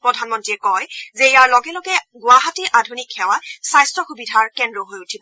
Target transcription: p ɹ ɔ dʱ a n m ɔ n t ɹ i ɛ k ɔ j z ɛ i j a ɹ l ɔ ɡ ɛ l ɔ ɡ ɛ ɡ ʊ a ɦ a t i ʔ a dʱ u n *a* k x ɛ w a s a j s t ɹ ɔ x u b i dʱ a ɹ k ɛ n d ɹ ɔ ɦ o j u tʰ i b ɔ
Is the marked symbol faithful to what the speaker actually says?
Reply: no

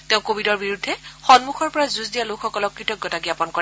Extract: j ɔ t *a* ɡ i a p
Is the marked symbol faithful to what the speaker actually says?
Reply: yes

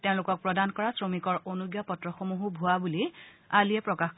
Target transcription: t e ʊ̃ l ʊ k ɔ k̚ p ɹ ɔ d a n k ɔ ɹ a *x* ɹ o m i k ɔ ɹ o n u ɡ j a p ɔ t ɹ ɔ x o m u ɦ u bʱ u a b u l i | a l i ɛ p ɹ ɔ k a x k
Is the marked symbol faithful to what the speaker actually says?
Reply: no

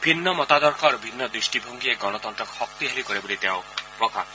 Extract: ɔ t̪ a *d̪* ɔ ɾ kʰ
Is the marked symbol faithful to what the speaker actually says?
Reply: yes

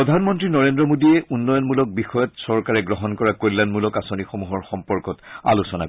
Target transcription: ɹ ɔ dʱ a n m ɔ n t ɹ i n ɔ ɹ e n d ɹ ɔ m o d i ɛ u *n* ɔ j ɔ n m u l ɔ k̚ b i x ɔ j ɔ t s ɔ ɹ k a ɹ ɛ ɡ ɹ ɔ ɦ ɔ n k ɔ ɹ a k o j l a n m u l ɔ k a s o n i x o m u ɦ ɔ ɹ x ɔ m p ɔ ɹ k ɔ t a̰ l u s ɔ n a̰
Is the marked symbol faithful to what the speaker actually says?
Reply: no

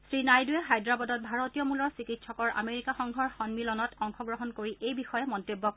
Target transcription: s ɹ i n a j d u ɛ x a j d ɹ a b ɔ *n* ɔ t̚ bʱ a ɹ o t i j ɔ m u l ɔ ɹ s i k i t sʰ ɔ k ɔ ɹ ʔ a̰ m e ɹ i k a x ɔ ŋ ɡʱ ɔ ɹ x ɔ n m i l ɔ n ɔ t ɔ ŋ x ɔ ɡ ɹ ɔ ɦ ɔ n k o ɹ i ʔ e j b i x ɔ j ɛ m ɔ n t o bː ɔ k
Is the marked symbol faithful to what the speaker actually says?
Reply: no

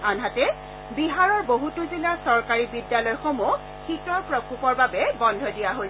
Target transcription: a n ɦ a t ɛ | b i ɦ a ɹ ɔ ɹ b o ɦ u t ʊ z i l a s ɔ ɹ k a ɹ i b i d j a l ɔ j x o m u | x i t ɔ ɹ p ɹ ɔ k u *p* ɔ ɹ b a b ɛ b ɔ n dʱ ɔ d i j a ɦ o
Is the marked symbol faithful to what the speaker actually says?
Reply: yes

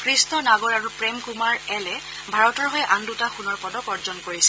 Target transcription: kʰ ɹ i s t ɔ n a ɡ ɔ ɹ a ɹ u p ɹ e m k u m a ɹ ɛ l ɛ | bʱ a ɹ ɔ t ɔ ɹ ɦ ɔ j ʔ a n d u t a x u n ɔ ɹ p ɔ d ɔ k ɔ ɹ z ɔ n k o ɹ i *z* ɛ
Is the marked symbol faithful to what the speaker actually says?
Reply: no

